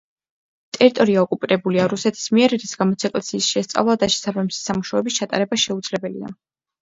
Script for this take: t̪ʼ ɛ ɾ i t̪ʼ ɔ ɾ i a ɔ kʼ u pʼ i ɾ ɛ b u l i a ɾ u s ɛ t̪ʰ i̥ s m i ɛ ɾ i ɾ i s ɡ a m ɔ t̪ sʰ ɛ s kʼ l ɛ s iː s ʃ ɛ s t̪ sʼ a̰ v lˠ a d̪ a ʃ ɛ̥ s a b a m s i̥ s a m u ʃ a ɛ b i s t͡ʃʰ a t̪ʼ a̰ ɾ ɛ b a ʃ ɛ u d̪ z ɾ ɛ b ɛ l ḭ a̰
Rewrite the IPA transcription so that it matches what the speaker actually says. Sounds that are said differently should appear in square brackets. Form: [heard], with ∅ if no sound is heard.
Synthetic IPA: t̪ʼ ɛ ɾ i t̪ʼ ɔ ɾ i a ɔ kʼ u pʼ i ɾ ɛ b u l i a ɾ u s ɛ t̪ʰ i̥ s m i ɛ ɾ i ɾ i s ɡ a m ɔ t̪ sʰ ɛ [∅] kʼ l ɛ s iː s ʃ ɛ s t̪ sʼ a̰ v lˠ a d̪ a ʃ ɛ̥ s a b a m s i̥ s a m u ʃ a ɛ b i s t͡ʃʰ a t̪ʼ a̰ ɾ ɛ b a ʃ ɛ u d̪ z [l] ɛ b ɛ l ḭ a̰